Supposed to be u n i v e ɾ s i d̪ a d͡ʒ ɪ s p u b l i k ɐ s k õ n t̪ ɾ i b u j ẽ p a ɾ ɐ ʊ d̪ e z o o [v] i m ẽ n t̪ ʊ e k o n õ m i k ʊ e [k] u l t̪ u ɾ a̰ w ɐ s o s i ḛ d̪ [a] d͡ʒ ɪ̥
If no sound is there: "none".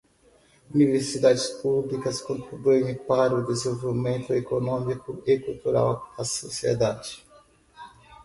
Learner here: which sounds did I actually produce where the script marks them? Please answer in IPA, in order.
v, k, a

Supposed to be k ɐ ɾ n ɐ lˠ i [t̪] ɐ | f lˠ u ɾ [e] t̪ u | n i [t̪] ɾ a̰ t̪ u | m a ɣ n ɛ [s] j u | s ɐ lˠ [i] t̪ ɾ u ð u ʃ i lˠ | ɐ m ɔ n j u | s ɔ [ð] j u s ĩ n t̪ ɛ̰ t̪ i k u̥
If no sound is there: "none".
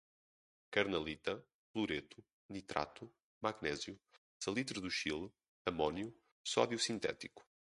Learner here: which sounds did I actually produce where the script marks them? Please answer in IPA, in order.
t̪, e, t̪, z, i, ð

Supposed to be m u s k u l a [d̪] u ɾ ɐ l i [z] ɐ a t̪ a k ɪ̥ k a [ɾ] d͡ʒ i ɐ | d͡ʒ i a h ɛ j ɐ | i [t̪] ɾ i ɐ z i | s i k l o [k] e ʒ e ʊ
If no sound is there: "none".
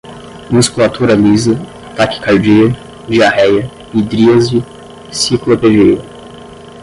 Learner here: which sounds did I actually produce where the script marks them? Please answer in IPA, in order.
t̪, z, ɾ, d̪, p

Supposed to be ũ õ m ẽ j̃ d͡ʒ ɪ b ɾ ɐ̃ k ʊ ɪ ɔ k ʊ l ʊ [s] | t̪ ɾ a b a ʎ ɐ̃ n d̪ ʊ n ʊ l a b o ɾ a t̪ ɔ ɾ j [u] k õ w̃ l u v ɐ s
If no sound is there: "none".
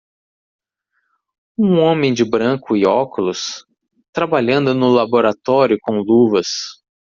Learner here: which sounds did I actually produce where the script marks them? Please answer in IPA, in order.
s, ʊ

